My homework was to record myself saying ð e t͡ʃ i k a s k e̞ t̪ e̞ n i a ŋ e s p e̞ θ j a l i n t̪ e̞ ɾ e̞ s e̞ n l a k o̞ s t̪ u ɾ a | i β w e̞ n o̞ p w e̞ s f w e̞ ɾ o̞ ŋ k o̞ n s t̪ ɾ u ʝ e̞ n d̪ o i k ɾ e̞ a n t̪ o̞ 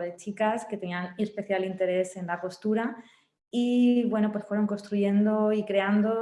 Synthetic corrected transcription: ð e t͡ʃ i k a s k e̞ t̪ e̞ n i a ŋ e s p e̞ θ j a l i n t̪ e̞ ɾ e̞ s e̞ n l a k o̞ s t̪ u ɾ a | i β w e̞ n o̞ p w e̞ s f w e̞ ɾ o̞ ŋ k o̞ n s t̪ ɾ u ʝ e̞ n d̪ o i k ɾ e̞ a n d̪ o̞